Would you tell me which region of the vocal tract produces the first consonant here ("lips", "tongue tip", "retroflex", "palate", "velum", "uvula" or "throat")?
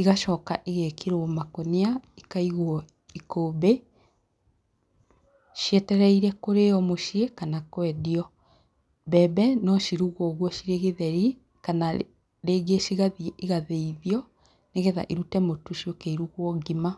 velum